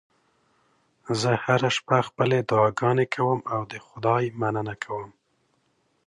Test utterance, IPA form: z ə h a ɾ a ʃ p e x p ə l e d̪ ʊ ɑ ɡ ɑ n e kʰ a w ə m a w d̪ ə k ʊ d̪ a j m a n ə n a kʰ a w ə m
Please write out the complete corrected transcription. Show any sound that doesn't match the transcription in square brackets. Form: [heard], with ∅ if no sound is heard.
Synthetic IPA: z ə h a ɾ a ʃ p [a] x p ə l e d̪ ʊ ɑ ɡ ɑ n e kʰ a w ə m a w d̪ ə [x] ʊ d̪ [ɑ] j m a n ə n a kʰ a w ə m